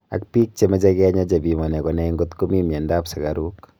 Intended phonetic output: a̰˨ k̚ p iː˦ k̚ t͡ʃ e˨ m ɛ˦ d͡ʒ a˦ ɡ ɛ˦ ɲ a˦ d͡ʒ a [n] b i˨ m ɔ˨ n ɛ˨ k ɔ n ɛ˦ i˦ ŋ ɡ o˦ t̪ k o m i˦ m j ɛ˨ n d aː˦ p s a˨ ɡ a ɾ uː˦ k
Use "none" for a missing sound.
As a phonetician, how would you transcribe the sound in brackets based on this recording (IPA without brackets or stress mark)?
none